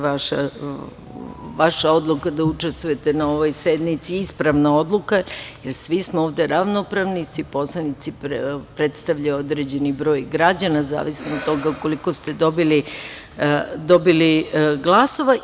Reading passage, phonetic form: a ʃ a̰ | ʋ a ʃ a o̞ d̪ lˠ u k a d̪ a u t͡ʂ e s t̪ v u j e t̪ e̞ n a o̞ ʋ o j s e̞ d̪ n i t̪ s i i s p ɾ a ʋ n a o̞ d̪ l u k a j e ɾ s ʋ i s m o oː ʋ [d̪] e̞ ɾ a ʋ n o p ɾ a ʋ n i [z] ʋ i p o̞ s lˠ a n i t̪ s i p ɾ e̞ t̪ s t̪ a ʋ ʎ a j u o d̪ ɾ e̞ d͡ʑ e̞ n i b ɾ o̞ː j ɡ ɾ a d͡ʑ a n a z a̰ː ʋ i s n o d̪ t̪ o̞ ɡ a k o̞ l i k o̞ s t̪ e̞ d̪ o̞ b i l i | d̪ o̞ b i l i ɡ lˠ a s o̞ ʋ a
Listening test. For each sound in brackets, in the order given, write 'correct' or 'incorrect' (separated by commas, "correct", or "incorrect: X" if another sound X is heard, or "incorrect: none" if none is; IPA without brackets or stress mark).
correct, incorrect: s